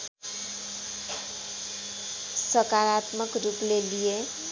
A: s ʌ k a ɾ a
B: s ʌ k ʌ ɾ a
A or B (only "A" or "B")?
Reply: A